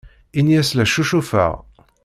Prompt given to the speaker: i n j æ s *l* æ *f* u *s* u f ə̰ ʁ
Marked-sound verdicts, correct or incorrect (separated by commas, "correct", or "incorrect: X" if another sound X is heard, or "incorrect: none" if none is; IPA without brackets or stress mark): correct, incorrect: ʃ, incorrect: ʃ